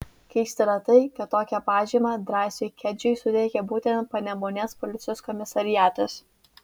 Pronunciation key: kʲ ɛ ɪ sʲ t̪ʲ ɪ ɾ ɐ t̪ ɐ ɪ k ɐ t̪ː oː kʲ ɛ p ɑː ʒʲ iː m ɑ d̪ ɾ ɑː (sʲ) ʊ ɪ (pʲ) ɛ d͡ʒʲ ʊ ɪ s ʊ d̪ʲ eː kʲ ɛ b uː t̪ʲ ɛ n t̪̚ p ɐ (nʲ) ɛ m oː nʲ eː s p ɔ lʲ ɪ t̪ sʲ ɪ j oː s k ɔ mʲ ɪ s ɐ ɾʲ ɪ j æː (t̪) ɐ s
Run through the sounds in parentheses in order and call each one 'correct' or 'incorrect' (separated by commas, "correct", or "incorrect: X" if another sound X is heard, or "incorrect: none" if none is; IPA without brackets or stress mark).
correct, incorrect: kʲ, correct, correct